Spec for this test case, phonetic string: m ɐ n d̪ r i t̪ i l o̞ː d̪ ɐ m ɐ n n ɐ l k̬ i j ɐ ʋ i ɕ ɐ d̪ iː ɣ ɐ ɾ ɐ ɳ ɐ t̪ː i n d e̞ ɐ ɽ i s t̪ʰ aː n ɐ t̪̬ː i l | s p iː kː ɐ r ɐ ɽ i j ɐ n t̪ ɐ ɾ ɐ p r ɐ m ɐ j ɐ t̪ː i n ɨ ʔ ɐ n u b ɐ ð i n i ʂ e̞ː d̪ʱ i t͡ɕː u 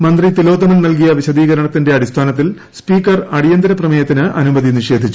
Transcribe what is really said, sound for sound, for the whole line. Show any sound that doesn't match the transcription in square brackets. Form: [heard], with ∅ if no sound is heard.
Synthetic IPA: m ɐ n d̪ r i t̪ i l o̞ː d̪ ɐ m ɐ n n ɐ l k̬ i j ɐ ʋ i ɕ ɐ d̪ iː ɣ ɐ ɾ ɐ ɳ ɐ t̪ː i n d e̞ ɐ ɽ i s t̪ʰ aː n ɐ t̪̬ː i l | s p iː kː ɐ r ɐ ɽ i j ɐ n [d̪] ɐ ɾ ɐ p r ɐ m ɐ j ɐ t̪ː i n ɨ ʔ ɐ n u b ɐ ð i n i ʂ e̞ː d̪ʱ i t͡ɕː u